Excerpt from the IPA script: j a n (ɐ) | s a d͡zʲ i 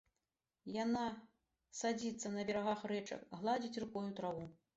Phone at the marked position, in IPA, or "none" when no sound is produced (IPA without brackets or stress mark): a